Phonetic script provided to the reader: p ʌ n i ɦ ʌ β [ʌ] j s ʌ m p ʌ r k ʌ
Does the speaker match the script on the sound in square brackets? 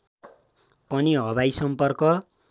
no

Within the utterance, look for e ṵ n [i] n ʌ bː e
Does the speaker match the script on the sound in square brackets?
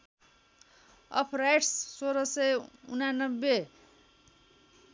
no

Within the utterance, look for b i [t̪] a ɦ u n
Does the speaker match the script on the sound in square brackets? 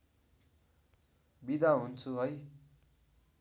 no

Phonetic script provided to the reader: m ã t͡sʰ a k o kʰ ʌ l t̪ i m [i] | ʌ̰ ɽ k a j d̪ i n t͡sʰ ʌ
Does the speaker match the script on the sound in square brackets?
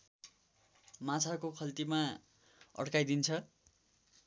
no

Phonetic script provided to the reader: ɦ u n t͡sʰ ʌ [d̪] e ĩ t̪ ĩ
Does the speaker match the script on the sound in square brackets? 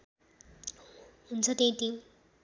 no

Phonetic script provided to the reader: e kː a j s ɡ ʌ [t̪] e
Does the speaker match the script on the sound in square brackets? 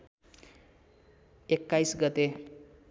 yes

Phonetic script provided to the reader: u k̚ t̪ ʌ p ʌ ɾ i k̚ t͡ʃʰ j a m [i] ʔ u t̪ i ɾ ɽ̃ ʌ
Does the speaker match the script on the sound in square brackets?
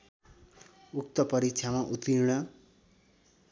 no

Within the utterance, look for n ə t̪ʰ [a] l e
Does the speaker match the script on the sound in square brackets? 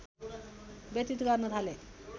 yes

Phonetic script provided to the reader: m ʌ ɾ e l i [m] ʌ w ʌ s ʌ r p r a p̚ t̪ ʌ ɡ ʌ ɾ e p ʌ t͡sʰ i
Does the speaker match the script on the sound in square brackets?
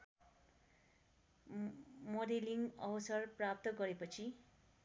no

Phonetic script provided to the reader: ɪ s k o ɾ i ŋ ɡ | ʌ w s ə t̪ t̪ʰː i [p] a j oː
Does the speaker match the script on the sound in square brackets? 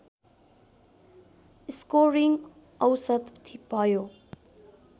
yes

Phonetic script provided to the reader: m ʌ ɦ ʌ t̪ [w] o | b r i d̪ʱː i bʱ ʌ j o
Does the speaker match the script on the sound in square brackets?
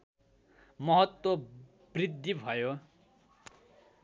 yes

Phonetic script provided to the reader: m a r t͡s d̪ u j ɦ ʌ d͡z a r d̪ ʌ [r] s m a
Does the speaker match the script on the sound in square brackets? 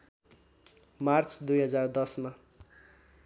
no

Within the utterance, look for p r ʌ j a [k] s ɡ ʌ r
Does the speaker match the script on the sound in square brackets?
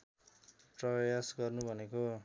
no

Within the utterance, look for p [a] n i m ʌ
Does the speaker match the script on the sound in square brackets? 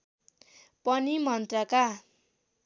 no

